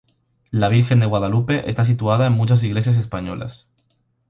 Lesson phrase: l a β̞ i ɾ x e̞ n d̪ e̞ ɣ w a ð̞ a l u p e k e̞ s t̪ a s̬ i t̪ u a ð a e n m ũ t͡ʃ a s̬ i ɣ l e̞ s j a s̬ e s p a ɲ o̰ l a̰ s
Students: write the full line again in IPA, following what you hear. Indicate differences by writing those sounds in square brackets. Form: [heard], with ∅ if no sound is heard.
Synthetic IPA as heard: l a β̞ i ɾ x e̞ n d̪ e̞ ɣ w a ð̞ a l u p e [ʔ] e̞ s t̪ a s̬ i t̪ u a ð a e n m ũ t͡ʃ a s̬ i ɣ l e̞ s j a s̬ e s p a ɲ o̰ l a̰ s